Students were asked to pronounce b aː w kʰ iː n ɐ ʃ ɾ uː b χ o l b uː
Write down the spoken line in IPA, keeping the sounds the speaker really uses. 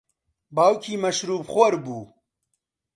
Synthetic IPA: b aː w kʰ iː m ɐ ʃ ɾ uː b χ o ɾ b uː